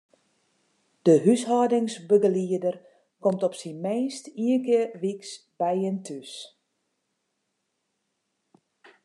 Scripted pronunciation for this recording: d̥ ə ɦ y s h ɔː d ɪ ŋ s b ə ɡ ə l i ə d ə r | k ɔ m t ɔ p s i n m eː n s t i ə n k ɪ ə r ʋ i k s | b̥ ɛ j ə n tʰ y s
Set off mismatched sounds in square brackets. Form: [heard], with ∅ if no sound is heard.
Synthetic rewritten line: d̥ ə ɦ y s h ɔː d ɪ ŋ s b ə ɡ ə l i ə d ə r | k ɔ m t ɔ p s i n m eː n s t i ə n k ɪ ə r ʋ i k s | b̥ ɛ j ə n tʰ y s